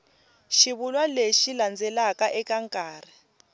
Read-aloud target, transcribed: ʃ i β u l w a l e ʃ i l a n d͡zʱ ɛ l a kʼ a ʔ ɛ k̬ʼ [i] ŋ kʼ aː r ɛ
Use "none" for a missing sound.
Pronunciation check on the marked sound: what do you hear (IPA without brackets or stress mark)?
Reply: a